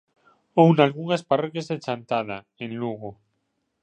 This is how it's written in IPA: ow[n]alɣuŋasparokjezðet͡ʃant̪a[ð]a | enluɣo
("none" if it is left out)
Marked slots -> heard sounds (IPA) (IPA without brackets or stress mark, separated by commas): n, ð